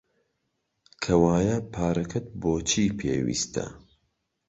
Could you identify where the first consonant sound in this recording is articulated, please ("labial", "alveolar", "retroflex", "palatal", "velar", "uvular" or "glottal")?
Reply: velar